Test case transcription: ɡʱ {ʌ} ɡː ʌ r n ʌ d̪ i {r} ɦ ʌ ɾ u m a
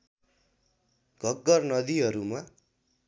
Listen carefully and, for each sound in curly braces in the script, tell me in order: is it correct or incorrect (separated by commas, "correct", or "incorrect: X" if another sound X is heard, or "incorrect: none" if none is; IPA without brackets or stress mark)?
correct, incorrect: none